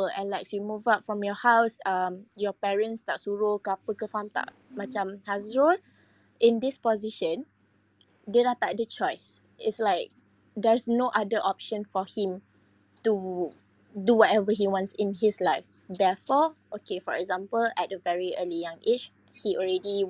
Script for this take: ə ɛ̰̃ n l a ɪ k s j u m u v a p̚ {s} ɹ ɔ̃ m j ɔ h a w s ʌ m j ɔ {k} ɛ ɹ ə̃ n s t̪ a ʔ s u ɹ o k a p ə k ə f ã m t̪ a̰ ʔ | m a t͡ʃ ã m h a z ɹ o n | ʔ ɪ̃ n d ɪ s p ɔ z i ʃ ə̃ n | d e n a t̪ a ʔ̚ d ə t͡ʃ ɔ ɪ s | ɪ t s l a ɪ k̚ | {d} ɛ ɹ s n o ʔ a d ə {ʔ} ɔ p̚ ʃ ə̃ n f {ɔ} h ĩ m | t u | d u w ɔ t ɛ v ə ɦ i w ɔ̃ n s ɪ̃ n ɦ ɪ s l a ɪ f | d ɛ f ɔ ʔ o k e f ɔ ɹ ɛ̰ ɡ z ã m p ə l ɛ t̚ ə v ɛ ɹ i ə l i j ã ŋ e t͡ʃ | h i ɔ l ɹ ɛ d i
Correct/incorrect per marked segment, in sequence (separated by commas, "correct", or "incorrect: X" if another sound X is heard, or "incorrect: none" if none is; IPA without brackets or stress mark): incorrect: f, incorrect: p, correct, correct, correct